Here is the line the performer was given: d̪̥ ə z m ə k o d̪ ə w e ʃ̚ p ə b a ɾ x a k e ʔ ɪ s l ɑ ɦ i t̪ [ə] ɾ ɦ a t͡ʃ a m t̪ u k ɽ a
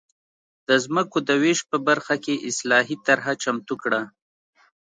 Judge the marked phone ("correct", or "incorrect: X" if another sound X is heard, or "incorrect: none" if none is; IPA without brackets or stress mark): incorrect: a